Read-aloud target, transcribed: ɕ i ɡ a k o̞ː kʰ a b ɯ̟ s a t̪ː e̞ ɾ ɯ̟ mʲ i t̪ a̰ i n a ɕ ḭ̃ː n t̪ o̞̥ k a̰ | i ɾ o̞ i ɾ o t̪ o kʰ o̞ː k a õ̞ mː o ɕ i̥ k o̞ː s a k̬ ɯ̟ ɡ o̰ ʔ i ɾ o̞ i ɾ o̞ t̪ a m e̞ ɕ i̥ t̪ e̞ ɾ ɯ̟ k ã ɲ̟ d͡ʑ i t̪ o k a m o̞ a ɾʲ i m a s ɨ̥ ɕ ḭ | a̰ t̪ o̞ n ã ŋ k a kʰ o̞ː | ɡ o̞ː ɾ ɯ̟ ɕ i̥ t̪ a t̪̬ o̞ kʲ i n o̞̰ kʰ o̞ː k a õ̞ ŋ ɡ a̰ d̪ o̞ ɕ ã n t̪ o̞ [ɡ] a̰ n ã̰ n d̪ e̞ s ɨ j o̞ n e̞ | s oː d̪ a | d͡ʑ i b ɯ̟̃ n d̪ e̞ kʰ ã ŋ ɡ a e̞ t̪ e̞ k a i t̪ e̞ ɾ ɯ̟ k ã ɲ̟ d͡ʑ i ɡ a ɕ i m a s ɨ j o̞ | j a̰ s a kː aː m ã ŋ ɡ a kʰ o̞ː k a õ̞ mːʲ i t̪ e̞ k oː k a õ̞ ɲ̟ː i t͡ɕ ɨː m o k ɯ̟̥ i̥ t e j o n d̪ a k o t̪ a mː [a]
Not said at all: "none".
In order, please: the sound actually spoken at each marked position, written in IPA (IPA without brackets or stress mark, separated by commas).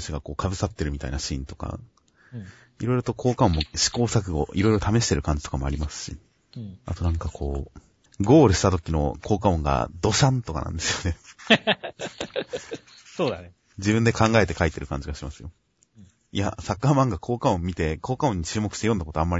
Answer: k, a